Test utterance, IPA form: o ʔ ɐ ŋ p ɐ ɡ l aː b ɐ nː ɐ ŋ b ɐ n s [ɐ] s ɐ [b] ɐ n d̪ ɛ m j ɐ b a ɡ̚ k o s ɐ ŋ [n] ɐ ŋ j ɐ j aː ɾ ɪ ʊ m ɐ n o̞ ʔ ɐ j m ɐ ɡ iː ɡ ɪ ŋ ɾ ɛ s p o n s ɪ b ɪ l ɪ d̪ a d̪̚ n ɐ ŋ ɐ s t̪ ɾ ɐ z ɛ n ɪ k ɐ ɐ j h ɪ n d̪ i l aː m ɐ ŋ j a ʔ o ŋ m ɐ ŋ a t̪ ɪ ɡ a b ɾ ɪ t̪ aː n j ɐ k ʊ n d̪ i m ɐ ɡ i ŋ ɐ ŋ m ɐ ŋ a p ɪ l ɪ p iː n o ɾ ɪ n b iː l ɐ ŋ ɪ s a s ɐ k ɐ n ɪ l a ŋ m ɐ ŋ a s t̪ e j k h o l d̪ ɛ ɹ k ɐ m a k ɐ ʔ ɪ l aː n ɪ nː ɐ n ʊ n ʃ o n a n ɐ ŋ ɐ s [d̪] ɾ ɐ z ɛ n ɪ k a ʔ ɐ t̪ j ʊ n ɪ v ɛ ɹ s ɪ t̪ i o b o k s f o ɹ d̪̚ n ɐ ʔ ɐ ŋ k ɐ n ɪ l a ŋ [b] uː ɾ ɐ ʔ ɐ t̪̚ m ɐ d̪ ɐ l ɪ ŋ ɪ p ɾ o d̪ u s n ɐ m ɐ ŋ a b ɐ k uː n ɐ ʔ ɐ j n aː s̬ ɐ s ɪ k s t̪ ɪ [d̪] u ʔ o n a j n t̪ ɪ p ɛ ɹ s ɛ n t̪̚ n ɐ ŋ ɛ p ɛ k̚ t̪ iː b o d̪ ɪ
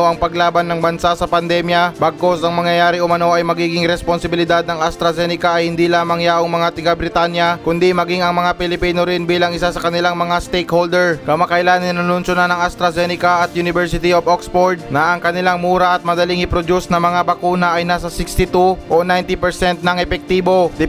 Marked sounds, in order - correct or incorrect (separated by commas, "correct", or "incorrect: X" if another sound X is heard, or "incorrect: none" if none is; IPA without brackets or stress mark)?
incorrect: a, incorrect: p, incorrect: m, incorrect: t̪, incorrect: m, incorrect: t̪